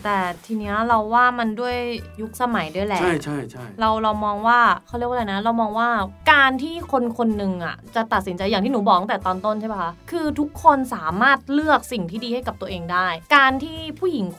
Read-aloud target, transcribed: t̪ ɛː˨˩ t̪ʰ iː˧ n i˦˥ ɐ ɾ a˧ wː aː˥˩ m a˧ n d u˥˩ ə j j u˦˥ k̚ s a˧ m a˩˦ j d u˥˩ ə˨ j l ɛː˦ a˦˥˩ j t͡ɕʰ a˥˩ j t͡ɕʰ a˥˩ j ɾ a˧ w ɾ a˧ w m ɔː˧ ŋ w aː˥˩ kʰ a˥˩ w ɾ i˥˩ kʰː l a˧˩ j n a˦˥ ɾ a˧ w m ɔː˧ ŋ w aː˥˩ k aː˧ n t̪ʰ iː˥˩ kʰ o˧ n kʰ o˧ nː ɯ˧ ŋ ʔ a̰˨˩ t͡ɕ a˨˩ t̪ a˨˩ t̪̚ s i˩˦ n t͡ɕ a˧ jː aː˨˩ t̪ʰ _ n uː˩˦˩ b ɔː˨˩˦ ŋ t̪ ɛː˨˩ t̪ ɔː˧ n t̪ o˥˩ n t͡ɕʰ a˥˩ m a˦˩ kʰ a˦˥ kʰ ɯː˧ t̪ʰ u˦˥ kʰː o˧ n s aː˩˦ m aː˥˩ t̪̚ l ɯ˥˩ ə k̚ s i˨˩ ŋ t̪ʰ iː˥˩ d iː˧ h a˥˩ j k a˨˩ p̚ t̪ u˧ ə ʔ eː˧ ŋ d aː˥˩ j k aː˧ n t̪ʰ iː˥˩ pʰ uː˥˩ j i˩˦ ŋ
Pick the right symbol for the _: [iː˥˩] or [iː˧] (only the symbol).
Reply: iː˥˩